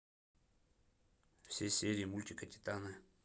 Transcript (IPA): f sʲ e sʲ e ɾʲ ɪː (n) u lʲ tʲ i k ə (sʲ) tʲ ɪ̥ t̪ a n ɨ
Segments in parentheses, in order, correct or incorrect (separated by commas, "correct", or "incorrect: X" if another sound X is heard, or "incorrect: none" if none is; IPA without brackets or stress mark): incorrect: m, incorrect: none